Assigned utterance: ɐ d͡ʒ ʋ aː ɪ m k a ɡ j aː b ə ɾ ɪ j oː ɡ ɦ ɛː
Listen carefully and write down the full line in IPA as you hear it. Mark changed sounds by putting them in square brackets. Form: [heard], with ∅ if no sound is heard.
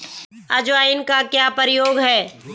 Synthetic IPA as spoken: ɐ d͡ʒ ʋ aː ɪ [n] k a [k] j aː [p] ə ɾ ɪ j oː ɡ ɦ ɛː